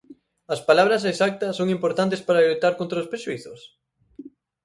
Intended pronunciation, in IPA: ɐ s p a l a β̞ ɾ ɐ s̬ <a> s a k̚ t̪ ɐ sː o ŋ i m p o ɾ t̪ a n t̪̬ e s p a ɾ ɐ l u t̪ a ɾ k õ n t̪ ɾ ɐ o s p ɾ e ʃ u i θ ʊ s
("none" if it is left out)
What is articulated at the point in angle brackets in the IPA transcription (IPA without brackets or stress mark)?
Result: e